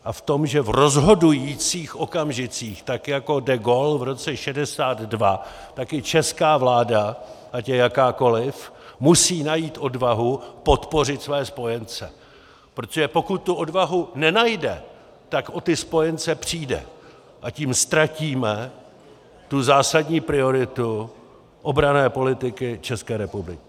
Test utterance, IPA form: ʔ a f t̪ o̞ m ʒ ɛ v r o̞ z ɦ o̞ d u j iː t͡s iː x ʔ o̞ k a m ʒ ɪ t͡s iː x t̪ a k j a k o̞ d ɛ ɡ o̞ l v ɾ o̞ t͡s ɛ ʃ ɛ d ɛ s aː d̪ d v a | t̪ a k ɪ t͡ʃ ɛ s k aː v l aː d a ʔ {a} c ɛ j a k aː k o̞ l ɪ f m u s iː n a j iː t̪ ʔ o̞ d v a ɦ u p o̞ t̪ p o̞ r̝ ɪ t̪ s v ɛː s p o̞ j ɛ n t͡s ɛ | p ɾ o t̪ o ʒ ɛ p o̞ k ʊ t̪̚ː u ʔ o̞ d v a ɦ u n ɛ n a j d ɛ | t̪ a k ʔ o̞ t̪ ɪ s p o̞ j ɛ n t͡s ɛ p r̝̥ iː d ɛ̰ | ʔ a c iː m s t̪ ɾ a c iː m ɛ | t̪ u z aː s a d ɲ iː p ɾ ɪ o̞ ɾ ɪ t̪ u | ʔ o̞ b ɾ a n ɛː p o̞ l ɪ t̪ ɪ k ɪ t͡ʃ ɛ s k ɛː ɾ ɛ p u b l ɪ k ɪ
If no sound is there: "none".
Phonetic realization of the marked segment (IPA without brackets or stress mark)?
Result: a